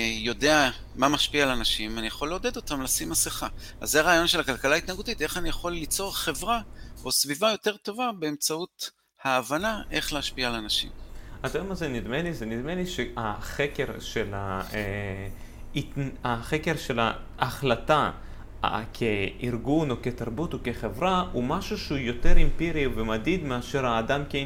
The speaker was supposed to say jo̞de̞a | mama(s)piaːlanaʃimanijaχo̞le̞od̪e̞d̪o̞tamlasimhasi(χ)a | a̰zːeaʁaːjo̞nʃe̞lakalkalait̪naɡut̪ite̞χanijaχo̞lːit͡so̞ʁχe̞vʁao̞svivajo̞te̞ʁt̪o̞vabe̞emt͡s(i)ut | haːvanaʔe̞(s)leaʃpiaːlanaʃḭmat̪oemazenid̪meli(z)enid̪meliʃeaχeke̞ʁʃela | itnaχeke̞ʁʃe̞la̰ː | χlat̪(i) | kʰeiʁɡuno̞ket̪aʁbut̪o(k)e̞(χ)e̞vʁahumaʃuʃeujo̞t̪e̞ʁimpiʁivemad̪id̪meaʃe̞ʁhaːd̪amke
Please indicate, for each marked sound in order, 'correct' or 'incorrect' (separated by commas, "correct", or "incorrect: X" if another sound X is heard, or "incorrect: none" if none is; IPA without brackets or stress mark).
incorrect: ʃ, correct, incorrect: a, incorrect: χ, correct, incorrect: a, correct, correct